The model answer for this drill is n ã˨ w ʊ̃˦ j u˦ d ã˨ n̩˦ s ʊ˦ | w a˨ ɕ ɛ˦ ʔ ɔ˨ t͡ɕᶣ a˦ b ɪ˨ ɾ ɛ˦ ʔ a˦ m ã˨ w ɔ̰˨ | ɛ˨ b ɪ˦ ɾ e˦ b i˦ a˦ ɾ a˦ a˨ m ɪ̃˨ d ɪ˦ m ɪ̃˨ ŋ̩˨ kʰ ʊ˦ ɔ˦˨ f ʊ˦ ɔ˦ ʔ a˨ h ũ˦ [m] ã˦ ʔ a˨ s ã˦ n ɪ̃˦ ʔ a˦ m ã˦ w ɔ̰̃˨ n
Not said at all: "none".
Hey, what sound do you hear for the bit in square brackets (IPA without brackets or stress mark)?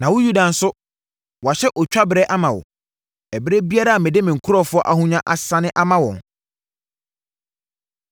ɲ